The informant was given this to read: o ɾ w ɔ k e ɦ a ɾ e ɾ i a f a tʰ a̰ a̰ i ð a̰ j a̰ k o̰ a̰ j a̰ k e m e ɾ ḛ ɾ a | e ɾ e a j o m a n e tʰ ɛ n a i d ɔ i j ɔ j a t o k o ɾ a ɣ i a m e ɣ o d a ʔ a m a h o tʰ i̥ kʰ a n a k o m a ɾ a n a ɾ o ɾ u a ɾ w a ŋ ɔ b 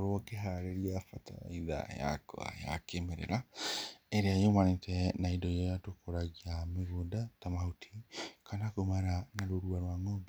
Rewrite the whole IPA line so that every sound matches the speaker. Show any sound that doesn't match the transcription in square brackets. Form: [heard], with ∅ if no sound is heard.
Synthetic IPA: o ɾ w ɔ k e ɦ a ɾ e ɾ i a f a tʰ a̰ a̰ i ð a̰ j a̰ k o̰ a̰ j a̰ k e m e ɾ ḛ ɾ a | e ɾ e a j o m a n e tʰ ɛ n a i d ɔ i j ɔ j a t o k o ɾ a ɣ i a m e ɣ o d a [t] a m a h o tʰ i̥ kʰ a n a k o m a ɾ a n a ɾ o ɾ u a ɾ w a ŋ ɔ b